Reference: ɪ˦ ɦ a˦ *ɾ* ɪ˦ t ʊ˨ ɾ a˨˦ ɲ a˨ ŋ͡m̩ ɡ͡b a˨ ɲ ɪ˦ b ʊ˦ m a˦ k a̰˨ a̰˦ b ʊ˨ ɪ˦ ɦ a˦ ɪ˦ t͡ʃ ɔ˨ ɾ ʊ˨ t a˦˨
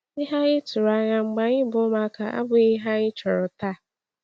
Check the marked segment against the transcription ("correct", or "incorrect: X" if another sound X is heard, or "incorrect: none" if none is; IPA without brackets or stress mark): incorrect: none